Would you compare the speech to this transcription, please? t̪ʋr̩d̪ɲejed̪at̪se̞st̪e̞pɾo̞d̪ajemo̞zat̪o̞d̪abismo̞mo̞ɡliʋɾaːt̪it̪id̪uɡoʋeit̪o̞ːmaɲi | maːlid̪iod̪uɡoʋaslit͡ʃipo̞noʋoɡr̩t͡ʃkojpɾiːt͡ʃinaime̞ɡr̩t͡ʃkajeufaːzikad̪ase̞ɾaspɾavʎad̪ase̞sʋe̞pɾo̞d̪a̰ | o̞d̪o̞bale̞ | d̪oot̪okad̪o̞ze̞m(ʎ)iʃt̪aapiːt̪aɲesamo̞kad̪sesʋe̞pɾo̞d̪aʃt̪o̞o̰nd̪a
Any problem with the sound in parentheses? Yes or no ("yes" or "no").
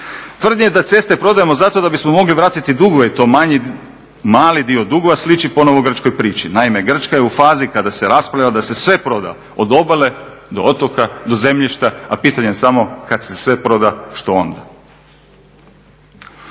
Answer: no